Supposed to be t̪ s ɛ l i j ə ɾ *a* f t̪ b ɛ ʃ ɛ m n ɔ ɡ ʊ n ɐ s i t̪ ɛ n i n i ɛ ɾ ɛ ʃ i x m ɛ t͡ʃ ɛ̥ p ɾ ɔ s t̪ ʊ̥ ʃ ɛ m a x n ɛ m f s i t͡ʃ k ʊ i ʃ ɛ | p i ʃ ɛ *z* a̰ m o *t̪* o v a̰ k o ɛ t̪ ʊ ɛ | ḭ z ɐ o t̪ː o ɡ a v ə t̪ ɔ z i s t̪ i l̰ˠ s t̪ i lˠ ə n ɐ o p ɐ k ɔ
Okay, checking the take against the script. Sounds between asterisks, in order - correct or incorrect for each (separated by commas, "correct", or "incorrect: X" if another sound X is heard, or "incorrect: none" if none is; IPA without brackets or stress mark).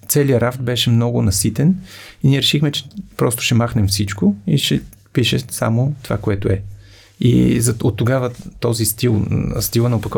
correct, incorrect: s, correct